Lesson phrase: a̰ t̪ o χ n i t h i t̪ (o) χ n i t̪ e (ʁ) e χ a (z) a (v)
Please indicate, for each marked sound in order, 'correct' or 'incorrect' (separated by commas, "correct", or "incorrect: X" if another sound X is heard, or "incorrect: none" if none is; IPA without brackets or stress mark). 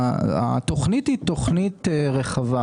correct, correct, incorrect: v, incorrect: none